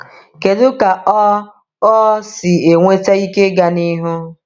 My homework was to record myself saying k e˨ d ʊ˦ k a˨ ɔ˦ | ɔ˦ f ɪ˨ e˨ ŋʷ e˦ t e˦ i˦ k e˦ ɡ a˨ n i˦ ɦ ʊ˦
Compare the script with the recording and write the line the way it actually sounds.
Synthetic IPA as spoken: k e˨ d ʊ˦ k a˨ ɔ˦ | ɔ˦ s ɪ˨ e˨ ŋʷ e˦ t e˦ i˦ k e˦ ɡ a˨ n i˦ ɦ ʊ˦